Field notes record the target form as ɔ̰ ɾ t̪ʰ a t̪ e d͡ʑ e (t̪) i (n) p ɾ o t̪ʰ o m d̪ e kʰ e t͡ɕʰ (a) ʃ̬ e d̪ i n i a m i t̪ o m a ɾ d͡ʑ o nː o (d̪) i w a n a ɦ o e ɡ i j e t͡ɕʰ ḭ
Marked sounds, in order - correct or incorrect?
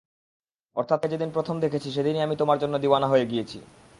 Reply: incorrect, correct, incorrect, correct

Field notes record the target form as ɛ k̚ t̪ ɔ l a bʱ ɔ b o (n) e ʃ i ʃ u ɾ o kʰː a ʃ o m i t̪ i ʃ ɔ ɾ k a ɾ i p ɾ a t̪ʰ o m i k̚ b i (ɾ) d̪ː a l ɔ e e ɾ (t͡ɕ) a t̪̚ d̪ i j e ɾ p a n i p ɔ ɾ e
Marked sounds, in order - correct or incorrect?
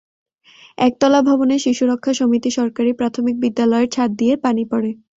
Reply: correct, incorrect, incorrect

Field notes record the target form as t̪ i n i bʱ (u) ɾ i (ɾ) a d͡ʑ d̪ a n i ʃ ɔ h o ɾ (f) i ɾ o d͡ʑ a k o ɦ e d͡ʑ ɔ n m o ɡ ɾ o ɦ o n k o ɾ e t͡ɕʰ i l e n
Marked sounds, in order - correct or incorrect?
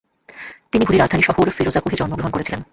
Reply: correct, correct, correct

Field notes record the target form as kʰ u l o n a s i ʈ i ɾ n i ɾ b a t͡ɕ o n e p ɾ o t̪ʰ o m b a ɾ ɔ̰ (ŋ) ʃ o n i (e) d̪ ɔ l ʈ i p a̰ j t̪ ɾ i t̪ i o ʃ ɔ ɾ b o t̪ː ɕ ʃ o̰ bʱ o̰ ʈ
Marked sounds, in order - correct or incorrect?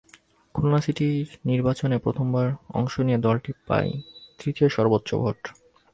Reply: correct, correct

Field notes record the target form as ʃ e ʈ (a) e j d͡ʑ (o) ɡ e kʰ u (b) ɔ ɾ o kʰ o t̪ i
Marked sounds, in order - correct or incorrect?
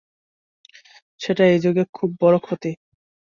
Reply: correct, correct, incorrect

